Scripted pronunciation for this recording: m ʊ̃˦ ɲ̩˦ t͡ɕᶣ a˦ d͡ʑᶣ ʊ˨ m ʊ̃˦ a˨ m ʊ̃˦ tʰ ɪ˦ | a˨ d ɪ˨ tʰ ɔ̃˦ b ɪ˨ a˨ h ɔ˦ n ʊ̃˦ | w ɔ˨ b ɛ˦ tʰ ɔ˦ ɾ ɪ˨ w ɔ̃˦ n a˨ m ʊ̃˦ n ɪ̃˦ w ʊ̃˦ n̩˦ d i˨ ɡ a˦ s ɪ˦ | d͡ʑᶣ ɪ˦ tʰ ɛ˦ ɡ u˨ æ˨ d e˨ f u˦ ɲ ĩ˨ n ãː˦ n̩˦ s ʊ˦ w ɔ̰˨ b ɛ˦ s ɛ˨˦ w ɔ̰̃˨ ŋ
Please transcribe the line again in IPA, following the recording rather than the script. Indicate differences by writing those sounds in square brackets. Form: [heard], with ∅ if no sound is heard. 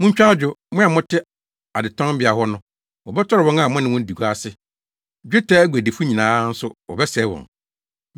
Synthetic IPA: m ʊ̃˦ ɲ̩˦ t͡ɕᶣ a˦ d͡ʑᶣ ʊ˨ m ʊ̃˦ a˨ m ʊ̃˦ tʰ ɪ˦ | a˨ d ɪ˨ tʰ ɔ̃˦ b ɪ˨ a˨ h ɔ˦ n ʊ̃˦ | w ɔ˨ b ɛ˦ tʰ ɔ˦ ɾ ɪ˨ w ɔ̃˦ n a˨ m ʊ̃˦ n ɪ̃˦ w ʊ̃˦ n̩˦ d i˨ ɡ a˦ s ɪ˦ | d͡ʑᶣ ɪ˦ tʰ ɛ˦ ɡ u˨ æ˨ d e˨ f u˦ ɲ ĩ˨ n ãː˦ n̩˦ s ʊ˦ w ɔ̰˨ b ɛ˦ s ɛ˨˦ w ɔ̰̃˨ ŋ